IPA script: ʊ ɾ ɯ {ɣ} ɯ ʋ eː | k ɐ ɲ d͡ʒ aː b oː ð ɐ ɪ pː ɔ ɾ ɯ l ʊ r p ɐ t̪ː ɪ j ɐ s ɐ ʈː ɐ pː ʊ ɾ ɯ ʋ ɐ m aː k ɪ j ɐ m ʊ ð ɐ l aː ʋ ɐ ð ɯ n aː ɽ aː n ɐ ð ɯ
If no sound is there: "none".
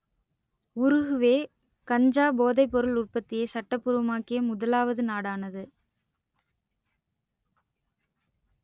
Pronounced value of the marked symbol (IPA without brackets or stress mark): ɣ